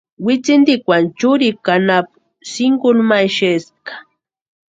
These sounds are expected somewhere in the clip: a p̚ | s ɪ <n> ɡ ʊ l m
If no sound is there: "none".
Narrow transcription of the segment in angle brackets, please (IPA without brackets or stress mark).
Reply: ŋ